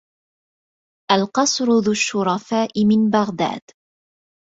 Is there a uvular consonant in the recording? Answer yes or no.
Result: yes